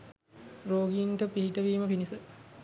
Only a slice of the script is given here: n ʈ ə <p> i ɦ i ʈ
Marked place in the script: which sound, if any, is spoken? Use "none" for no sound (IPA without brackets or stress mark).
p